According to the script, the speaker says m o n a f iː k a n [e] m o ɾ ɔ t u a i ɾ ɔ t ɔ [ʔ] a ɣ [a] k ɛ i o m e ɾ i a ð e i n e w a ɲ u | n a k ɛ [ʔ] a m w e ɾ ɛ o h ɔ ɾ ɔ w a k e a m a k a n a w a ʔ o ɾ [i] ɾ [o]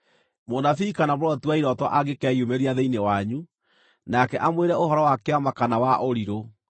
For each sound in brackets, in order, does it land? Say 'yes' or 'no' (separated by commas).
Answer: no, yes, no, yes, yes, yes